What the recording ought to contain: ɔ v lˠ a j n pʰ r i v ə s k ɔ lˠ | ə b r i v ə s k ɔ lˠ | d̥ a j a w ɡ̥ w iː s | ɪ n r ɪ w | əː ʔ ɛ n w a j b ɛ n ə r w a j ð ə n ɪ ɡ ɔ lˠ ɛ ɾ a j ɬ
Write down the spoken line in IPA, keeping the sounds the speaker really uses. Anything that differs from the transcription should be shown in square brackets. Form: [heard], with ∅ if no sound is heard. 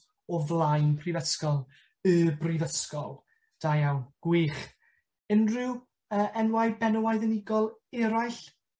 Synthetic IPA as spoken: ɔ v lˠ a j n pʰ r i v ə s k ɔ lˠ | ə b r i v ə s k ɔ lˠ | d̥ a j a w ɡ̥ w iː [χ] | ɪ n r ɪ w | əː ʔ ɛ n w a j b ɛ n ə [∅] w a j ð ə n ɪ ɡ ɔ lˠ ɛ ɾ a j ɬ